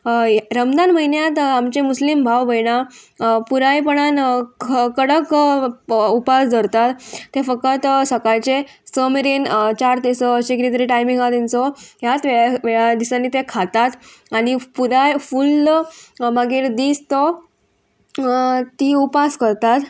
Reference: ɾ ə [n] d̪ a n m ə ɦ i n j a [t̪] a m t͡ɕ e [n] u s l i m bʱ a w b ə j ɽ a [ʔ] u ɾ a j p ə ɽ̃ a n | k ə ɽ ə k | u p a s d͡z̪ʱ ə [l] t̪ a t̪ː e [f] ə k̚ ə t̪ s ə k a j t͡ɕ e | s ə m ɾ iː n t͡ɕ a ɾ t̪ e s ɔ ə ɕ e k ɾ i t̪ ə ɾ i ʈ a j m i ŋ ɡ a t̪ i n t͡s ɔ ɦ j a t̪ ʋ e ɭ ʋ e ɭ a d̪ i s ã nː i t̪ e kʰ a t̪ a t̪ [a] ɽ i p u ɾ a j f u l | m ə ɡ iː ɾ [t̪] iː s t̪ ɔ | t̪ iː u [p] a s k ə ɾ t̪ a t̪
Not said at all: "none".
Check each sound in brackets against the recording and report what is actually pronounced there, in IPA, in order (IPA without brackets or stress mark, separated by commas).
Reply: m, t̪, m, p, ɾ, f, a, d̪, p